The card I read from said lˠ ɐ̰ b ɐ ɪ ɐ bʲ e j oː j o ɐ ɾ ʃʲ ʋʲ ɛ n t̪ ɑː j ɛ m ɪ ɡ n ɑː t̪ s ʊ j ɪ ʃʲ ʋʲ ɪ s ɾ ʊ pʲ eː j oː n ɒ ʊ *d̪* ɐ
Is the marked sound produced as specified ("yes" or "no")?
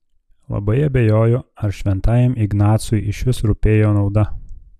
yes